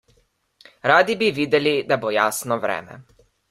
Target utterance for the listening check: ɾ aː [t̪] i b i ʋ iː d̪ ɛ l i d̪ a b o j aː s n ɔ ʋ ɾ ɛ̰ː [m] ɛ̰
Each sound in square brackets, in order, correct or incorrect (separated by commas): incorrect, correct